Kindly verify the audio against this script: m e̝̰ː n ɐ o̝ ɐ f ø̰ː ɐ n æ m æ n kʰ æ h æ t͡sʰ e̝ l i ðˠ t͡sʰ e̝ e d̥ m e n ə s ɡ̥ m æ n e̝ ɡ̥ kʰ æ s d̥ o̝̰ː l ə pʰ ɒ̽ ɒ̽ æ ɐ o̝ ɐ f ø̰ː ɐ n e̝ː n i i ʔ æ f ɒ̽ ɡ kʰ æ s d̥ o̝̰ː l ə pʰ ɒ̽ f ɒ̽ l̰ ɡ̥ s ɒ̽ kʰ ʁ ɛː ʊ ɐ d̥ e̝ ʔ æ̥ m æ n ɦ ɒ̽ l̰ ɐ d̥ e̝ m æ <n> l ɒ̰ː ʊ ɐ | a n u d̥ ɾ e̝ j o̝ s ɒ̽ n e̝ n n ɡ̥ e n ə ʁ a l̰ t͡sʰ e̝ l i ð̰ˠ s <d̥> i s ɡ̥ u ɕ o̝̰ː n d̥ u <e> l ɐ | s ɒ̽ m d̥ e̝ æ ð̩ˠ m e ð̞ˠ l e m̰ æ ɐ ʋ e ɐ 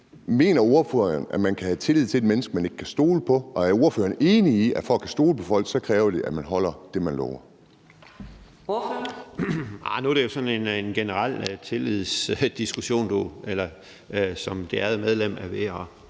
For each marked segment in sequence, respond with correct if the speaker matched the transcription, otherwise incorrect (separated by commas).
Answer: correct, correct, correct